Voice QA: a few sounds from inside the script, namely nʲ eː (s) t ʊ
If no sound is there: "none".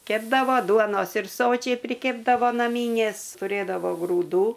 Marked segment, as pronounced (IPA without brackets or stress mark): s